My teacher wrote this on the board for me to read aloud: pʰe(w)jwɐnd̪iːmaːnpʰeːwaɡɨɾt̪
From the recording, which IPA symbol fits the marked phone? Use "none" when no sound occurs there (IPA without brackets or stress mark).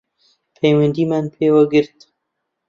none